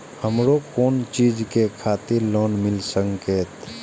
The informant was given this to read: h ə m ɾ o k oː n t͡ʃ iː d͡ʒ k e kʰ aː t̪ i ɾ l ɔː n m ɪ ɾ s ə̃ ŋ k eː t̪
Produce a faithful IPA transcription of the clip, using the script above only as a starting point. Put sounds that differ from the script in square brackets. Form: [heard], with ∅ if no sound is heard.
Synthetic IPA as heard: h ə m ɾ o k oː n t͡ʃ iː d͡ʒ k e kʰ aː t̪ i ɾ l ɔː n m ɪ [l] s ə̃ ŋ k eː t̪

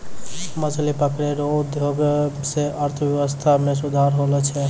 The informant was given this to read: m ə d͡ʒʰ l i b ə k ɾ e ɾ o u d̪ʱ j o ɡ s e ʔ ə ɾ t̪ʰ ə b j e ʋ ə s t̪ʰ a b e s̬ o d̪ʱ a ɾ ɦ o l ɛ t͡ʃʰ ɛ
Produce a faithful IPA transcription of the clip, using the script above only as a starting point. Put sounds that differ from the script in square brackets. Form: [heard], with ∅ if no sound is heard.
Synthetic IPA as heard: m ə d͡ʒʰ l i [p] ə k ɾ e ɾ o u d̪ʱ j o ɡ s e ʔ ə ɾ t̪ʰ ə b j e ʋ ə s t̪ʰ a [m] e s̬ [u] d̪ʱ a ɾ ɦ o l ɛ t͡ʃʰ ɛ

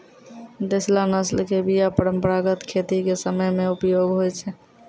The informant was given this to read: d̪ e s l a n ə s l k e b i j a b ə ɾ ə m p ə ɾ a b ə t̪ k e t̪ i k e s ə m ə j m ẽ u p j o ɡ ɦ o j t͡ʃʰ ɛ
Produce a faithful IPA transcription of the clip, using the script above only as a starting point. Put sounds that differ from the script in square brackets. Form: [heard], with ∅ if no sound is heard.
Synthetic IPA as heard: d̪ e s l a n ə s l k e b i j a [p] ə ɾ ə m p ə ɾ a [ɡ] ə t̪ [kʰ] e t̪ i k e s ə m ə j m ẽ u p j o ɡ ɦ o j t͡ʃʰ ɛ

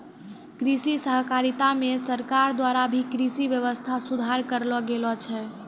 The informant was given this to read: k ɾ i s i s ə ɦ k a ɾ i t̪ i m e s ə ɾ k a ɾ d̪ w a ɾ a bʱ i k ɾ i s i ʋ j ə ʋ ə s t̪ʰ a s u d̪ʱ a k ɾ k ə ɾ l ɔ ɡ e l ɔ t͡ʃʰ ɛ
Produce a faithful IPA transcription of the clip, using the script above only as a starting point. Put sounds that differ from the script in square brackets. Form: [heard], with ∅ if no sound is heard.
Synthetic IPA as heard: k ɾ i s i s ə ɦ k a ɾ i t̪ [a] m e s ə ɾ k a ɾ d̪ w a ɾ a bʱ i k ɾ i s i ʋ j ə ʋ ə s t̪ʰ a s u d̪ʱ a [∅] ɾ k ə ɾ l ɔ ɡ e l ɔ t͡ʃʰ ɛ

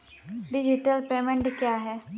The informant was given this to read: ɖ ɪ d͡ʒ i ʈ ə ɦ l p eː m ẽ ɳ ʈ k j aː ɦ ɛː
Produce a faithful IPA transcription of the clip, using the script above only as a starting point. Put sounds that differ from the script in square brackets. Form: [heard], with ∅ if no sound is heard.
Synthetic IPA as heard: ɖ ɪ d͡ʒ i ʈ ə [∅] l p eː m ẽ ɳ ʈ k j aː ɦ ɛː

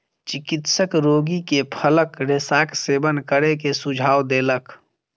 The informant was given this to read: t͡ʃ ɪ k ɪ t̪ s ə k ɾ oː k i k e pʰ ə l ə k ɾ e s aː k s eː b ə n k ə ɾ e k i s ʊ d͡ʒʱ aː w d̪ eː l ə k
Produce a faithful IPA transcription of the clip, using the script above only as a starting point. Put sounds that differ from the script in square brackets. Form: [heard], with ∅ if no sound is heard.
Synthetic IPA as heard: t͡ʃ ɪ k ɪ t̪ s ə k ɾ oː [ɡ] i k e pʰ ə l ə k ɾ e s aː k s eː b ə n k ə ɾ e k [e] s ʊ d͡ʒʱ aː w d̪ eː l ə k

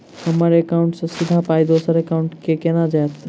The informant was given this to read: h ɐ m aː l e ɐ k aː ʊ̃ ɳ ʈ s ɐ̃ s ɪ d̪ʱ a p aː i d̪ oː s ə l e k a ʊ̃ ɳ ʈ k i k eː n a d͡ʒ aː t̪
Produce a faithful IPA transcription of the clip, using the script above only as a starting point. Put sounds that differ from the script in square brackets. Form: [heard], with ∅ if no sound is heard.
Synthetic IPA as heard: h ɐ m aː [ɾ] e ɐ k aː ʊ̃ ɳ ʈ s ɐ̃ s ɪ d̪ʱ a p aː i d̪ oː s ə [ɾ] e k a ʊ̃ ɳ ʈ k [e] k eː n a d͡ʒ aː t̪

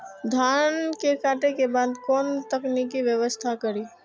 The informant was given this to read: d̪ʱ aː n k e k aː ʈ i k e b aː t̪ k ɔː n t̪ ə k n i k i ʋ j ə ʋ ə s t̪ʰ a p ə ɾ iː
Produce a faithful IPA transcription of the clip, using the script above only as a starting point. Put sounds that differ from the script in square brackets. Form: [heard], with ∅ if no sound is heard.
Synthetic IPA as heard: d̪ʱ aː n k e k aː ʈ [e] k e b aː [d̪] k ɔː n t̪ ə k n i k i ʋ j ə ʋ ə s t̪ʰ a [k] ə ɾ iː

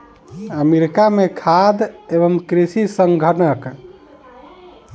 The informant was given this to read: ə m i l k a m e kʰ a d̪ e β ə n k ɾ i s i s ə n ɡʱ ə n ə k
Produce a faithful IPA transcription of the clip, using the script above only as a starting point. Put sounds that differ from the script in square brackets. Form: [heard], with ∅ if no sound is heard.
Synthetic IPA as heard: ə m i [ɾ] k a m e kʰ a d̪ e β ə [m] k ɾ i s i s ə [ŋ] ɡʱ ə n ə k

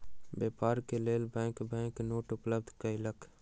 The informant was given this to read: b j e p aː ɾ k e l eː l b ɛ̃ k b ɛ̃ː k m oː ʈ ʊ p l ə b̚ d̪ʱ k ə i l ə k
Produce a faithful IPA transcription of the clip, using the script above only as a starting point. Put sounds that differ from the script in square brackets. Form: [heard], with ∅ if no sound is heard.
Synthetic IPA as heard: b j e p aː ɾ k e l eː l b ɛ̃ k b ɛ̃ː k [n] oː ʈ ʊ p l ə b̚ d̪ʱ k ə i l ə k

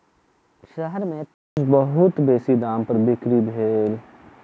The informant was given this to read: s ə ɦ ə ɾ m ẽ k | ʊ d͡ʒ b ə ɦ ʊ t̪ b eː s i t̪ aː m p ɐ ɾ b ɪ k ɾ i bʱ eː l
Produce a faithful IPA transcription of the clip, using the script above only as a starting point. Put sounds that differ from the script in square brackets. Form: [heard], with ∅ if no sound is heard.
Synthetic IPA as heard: [ʃ] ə ɦ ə ɾ m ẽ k | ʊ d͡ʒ b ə ɦ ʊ t̪ b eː s i [d̪] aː m p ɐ ɾ b ɪ k ɾ i bʱ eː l

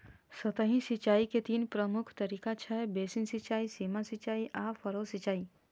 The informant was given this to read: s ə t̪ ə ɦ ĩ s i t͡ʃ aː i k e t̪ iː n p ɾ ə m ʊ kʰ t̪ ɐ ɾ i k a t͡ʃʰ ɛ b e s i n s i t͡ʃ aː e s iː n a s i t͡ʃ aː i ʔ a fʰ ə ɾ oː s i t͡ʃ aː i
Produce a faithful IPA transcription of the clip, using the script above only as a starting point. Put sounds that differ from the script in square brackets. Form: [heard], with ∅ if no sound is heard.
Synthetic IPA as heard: s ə t̪ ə ɦ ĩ s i t͡ʃ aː i k e t̪ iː n p ɾ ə m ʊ kʰ t̪ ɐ ɾ i k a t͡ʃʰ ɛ b e s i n s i t͡ʃ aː [i] s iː [m] a s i t͡ʃ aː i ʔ a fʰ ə ɾ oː s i t͡ʃ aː i

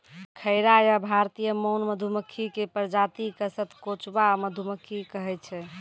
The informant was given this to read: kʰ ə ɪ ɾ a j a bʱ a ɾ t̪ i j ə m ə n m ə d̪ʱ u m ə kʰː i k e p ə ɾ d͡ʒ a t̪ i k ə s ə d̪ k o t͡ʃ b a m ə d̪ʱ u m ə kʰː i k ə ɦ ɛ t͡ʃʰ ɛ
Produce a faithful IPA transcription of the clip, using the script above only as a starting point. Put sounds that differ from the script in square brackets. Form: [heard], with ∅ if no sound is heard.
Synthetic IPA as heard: kʰ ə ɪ ɾ a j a bʱ a ɾ t̪ i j ə m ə n m ə d̪ʱ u m ə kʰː i k e p ə ɾ d͡ʒ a t̪ i k ə s ə [t̪] k o t͡ʃ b a m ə d̪ʱ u m ə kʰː i k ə ɦ ɛ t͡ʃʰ ɛ

